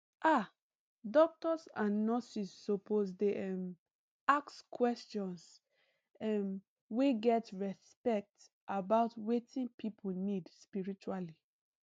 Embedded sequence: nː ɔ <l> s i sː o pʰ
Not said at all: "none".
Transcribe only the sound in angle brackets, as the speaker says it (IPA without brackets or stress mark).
none